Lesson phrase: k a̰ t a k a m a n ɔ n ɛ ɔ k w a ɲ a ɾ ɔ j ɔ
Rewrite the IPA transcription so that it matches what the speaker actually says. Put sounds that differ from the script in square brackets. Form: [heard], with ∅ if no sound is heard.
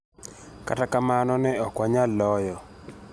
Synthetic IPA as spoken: k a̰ t a k a m a n ɔ n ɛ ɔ k w a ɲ a [l] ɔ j ɔ